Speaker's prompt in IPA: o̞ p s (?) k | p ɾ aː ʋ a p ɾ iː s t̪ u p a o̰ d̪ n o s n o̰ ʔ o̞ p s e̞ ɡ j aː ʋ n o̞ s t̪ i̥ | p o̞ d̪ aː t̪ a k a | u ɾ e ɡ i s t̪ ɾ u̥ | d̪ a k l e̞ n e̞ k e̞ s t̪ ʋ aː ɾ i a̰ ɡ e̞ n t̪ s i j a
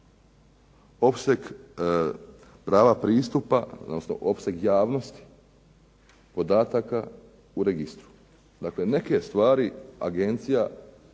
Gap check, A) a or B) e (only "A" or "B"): B